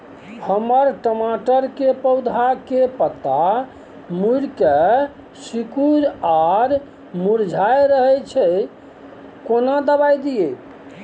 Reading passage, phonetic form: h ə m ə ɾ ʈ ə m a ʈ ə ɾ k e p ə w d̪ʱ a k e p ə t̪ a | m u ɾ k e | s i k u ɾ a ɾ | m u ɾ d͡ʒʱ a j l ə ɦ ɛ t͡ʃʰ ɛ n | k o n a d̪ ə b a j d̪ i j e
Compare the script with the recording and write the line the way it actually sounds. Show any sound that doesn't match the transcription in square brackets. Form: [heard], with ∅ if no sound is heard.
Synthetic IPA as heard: h ə m ə ɾ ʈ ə m a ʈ ə ɾ k e p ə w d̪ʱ a k e p ə t̪ a | m u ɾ k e | s i k u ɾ a ɾ | m u ɾ d͡ʒʱ a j [ɾ] ə ɦ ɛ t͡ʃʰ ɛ [∅] | k o n a d̪ ə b a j d̪ i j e